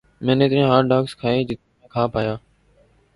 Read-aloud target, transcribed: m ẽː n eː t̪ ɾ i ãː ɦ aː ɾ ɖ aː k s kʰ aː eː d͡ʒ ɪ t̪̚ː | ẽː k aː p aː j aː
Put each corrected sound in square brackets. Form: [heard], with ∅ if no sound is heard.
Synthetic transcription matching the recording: m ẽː n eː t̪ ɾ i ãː ɦ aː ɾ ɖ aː k s kʰ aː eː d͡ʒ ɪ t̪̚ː | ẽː [kʰ] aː p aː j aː